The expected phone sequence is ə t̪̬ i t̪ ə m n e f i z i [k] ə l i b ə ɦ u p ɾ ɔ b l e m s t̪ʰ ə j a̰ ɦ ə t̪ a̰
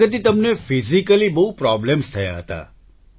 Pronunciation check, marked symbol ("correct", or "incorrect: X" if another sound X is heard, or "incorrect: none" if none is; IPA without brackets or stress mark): correct